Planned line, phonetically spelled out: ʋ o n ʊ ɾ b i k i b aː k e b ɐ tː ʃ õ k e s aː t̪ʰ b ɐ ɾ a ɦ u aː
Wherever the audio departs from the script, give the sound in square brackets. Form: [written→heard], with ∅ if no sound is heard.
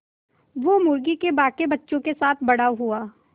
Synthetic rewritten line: ʋ o [n→m] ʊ ɾ [b→ɡ] i k [i→e] b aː k e b ɐ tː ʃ õ k e s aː t̪ʰ b ɐ [ɾ→ɽ] a ɦ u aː

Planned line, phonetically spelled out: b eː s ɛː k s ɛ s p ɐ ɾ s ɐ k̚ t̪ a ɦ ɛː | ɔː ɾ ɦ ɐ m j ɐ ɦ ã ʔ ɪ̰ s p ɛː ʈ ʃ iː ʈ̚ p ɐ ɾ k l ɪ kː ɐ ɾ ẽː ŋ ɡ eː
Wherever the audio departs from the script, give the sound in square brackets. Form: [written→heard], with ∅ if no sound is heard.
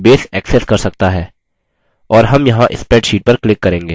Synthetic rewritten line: b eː s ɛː k s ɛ s [p→k] ɐ ɾ s ɐ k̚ t̪ a ɦ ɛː | ɔː ɾ ɦ ɐ m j ɐ ɦ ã ʔ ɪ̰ s p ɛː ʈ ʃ iː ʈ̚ p ɐ ɾ k l ɪ kː ɐ ɾ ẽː ŋ ɡ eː

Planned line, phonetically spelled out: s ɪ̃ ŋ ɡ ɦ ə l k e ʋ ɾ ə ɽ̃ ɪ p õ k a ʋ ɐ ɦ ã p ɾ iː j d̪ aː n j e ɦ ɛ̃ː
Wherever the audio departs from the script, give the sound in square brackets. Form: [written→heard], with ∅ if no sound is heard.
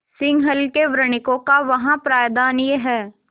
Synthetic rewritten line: s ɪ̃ ŋ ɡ ɦ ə l k e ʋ ɾ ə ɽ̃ ɪ [p→k] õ k a ʋ ɐ ɦ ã p ɾ [iː→aː] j d̪ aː n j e ɦ [ɛ̃ː→ɛː]

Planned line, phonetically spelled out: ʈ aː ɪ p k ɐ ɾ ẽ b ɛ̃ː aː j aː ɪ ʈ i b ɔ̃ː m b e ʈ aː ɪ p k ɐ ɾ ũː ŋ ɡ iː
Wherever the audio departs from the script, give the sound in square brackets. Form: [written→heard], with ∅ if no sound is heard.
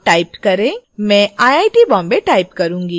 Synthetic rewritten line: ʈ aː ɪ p k ɐ ɾ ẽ [b→m] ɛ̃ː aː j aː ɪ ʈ i b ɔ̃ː m b e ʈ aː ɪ p k ɐ ɾ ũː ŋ ɡ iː

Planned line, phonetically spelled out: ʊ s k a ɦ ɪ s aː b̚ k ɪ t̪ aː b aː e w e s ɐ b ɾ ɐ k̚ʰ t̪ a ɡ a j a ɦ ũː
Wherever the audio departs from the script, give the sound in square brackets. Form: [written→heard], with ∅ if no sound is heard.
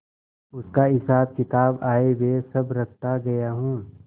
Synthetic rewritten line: ʊ s k a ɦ ɪ s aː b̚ k ɪ t̪ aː b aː e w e s ɐ b ɾ ɐ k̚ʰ t̪ a ɡ [a→ɐ] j a ɦ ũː

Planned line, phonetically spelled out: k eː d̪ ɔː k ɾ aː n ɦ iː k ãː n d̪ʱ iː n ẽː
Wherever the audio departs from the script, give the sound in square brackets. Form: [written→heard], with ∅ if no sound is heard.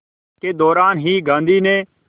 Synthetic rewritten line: k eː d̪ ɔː [k→∅] ɾ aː n ɦ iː [k→ɡ] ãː n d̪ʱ iː n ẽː

